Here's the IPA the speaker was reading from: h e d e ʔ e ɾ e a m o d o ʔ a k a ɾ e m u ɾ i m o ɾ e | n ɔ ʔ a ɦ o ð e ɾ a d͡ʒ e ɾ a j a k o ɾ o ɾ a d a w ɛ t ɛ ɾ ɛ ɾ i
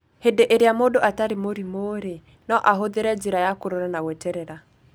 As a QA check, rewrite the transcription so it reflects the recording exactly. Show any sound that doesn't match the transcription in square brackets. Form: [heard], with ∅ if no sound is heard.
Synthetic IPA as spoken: h e d e ʔ e ɾ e a m o d o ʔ a [t] a ɾ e m [o] ɾ i m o ɾ e | n ɔ ʔ a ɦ o ð e ɾ [ɛ] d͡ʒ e ɾ a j a k o ɾ o ɾ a [n] a w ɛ t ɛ ɾ ɛ ɾ [a]